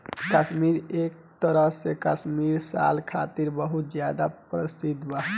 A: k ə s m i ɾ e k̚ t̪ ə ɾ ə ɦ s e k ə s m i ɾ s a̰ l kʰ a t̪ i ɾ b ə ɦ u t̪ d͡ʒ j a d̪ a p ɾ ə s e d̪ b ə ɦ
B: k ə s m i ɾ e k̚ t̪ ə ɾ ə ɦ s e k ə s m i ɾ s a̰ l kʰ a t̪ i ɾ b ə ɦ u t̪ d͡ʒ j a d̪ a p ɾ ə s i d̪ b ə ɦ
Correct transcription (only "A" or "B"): B